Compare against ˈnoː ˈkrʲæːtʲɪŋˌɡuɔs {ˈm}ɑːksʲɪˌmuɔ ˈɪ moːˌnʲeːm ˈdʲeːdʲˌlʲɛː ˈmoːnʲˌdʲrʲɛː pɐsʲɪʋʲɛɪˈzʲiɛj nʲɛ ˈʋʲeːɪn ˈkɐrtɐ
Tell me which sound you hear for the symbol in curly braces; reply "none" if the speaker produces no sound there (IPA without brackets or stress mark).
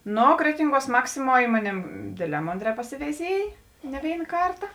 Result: m